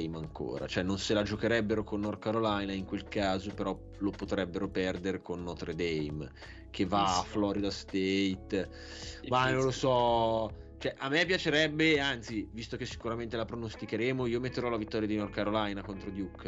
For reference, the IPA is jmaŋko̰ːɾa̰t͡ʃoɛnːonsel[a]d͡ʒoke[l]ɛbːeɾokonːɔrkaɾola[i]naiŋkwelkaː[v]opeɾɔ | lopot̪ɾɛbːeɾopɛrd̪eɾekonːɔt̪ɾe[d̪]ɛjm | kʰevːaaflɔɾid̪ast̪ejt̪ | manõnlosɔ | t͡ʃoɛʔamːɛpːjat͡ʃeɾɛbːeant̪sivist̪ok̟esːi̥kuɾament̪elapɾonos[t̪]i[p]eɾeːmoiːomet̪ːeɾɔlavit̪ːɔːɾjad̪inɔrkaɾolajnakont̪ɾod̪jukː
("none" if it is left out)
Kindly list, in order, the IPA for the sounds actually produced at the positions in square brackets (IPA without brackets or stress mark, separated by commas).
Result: a, ɾ, j, z, d̪, t̪, k